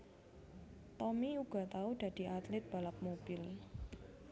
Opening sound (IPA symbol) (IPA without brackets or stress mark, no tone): t̪